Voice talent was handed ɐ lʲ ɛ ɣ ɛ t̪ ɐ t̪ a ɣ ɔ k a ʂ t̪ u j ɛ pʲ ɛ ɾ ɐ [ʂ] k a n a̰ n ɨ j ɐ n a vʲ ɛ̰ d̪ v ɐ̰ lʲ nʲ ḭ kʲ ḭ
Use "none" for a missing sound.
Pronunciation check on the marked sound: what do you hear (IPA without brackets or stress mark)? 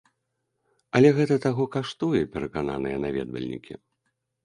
none